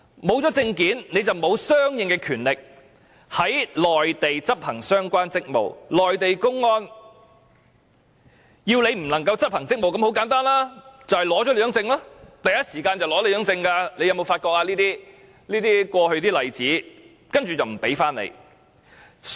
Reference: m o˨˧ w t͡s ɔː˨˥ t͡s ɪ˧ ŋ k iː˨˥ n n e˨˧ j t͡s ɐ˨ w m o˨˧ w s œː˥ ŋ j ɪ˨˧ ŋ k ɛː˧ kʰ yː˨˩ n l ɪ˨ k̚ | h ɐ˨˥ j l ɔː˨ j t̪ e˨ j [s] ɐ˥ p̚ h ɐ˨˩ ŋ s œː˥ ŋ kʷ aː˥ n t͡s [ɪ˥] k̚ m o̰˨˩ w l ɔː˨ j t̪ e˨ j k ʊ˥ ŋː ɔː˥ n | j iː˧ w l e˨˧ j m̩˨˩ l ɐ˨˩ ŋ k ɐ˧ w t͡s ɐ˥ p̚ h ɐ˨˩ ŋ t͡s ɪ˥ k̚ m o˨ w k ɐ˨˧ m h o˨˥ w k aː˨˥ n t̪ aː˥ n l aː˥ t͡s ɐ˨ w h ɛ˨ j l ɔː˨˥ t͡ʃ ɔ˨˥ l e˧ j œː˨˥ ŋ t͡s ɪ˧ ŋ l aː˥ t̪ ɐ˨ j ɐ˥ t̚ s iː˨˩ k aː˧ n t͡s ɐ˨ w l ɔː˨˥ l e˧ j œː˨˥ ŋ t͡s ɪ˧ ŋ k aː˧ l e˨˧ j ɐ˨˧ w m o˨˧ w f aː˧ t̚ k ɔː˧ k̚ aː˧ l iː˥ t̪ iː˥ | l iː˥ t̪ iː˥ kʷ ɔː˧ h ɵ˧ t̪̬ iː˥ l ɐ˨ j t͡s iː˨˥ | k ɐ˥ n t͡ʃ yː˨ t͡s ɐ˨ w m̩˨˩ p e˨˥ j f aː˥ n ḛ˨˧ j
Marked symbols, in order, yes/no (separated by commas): no, yes